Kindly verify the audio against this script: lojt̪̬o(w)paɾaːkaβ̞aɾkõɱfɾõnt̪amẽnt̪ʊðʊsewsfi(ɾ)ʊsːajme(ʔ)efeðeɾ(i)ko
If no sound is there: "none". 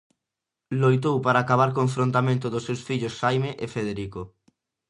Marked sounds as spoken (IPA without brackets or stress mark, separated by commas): w, ʎ, ʔ, i